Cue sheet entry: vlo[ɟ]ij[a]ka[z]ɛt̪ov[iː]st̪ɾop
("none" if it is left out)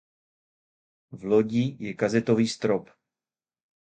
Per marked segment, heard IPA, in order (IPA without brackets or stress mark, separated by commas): ɟ, ɛ, z, iː